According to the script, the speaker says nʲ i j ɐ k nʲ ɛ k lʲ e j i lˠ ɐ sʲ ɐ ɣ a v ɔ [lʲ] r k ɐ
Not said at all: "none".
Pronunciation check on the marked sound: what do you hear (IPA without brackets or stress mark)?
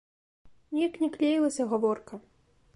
none